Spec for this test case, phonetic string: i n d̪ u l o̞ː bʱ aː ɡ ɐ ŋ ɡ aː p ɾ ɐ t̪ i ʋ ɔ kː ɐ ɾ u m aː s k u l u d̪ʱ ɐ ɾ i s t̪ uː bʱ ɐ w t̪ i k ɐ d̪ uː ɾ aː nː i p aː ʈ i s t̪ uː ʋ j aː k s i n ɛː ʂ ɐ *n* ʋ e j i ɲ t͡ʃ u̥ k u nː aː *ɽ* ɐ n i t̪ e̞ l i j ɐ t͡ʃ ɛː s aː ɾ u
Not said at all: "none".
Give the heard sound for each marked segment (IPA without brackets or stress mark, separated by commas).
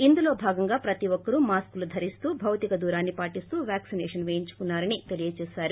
n, ɾ